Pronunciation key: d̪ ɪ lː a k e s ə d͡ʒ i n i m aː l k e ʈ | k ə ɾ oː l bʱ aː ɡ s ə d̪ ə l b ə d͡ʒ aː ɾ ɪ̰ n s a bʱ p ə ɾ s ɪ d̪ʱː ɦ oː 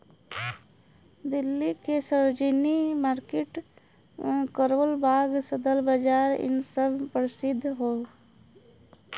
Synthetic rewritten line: d̪ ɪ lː i k e s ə d͡ʒ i n i m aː ɾ k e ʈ | k ə ɾ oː l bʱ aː ɡ s ə d̪ ə l b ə d͡ʒ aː ɾ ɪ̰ n s ə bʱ p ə ɾ s ɪ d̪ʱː ɦ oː